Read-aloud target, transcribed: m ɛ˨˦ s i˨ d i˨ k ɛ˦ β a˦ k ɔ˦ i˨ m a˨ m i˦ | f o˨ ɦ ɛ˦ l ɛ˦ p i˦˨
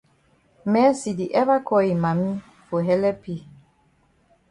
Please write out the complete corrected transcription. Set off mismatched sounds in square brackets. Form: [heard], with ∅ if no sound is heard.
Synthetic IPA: m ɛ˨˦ s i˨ d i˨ [ʔ] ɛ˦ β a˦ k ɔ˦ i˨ m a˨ m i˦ | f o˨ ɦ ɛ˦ l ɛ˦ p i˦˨